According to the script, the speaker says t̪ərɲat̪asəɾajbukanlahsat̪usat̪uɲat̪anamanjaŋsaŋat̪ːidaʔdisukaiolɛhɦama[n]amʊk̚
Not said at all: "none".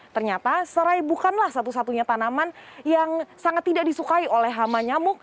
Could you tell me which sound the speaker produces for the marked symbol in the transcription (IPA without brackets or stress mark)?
ɲ